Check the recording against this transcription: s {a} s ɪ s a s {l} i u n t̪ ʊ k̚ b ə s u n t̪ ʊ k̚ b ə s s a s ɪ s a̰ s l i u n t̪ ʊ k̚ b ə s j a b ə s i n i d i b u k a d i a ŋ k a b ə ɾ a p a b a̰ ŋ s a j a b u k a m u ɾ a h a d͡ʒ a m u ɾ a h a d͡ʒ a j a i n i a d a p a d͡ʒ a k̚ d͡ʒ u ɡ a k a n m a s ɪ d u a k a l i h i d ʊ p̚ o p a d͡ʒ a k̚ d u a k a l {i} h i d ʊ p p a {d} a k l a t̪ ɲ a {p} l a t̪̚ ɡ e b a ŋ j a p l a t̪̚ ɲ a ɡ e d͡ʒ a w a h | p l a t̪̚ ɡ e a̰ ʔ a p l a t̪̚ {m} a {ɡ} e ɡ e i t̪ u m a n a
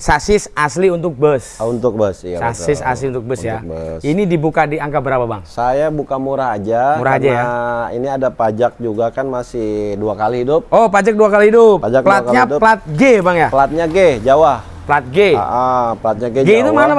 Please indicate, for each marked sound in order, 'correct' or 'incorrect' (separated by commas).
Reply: correct, correct, correct, incorrect, correct, incorrect, correct